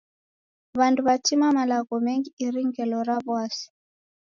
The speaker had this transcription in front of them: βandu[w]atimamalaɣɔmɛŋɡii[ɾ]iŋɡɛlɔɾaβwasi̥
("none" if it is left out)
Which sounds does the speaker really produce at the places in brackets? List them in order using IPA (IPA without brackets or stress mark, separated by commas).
β, ɾ